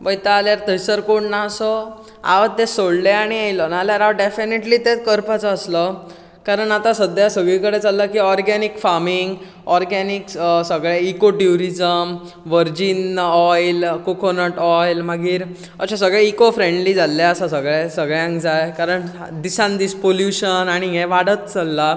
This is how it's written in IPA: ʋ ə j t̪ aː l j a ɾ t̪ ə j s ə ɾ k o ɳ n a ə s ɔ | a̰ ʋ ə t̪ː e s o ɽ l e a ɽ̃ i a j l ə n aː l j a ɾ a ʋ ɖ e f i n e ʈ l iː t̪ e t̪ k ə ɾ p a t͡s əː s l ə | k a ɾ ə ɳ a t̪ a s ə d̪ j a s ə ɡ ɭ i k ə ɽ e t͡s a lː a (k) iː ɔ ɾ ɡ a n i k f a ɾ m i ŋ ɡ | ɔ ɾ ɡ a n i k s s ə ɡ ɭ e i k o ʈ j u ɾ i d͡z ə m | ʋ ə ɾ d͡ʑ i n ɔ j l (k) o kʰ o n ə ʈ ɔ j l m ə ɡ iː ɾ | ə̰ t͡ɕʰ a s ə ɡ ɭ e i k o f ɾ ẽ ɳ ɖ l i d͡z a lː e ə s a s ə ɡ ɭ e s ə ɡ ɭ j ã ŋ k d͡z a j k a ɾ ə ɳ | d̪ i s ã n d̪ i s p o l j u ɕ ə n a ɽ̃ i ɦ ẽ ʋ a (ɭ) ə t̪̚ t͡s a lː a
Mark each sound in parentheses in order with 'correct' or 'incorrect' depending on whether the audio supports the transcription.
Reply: correct, correct, incorrect

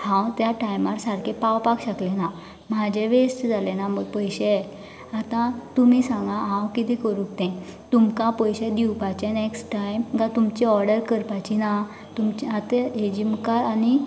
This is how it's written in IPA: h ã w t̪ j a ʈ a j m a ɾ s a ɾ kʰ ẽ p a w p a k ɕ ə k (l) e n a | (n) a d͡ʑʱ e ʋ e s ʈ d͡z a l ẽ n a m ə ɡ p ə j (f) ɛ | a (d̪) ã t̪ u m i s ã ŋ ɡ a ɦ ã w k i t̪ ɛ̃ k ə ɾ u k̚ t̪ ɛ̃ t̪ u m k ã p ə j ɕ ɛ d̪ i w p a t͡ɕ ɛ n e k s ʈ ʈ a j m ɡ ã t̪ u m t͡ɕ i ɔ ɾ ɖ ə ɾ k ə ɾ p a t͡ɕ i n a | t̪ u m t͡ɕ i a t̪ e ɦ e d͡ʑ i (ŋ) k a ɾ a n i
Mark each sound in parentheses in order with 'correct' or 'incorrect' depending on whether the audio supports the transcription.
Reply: correct, incorrect, incorrect, incorrect, incorrect

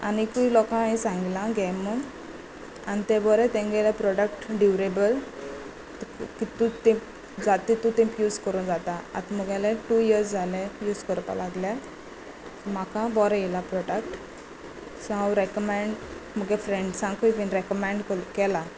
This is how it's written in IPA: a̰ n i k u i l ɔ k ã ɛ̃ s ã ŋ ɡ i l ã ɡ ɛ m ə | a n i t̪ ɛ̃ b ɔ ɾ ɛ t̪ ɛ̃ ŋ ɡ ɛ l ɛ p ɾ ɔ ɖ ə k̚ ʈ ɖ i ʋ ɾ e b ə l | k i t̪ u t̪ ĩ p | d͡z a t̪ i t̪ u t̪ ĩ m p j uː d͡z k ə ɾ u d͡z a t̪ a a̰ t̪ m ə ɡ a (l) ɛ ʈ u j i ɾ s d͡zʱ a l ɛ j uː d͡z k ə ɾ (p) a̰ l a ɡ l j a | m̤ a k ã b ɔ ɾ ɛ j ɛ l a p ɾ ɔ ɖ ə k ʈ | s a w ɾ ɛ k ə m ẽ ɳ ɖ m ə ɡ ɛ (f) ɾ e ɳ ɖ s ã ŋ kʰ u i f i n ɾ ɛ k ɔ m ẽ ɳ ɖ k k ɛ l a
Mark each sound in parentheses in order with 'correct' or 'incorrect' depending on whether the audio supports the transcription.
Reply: correct, correct, correct

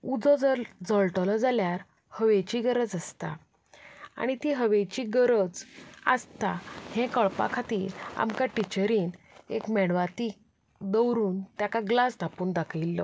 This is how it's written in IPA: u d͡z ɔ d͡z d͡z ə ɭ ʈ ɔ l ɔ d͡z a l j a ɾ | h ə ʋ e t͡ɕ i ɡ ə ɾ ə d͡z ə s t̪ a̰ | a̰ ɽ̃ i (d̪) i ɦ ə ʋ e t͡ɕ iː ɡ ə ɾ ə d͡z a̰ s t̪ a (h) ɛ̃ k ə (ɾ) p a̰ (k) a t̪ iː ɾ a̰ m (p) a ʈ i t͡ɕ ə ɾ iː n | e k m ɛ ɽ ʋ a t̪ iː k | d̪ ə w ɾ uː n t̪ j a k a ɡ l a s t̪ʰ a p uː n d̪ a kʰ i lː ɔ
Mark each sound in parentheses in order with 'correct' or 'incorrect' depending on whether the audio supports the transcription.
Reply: incorrect, correct, incorrect, incorrect, incorrect

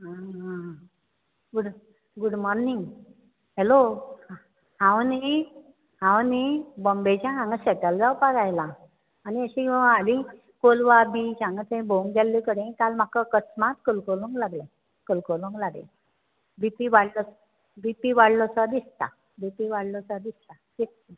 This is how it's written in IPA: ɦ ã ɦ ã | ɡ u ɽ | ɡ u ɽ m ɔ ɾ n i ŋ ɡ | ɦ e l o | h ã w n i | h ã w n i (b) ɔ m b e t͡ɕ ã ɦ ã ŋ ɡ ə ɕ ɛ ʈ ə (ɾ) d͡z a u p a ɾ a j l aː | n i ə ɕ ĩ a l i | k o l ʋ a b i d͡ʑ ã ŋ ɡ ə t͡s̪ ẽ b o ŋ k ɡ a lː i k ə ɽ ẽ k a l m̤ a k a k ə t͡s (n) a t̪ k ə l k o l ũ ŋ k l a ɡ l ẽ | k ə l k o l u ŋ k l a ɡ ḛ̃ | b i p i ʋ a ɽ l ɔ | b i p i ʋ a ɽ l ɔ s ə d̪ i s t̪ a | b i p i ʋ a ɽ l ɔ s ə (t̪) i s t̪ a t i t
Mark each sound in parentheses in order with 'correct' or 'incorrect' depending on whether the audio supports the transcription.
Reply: correct, incorrect, incorrect, incorrect

